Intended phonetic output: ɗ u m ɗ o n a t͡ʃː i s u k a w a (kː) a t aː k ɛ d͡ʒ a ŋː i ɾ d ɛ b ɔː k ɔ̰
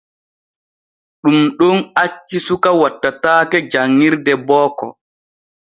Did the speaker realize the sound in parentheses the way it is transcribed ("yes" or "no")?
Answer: no